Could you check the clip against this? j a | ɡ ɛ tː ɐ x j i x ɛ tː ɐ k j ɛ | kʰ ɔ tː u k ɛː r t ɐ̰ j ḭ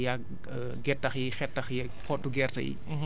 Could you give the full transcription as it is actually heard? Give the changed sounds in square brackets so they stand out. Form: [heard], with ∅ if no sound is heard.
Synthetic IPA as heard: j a | ɡ ɛ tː ɐ x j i x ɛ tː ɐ [x] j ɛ | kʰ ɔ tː u [ɡ] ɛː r t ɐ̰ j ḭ